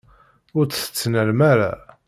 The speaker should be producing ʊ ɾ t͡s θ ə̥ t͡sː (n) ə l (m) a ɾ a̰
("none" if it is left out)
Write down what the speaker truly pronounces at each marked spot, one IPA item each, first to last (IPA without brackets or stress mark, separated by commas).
n, m